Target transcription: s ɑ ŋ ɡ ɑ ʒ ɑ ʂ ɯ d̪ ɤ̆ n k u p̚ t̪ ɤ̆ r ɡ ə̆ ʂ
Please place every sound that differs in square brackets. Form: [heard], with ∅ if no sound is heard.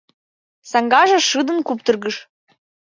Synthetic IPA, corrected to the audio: s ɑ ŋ ɡ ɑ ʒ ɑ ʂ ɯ d̪ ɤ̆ n k u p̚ t̪ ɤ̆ r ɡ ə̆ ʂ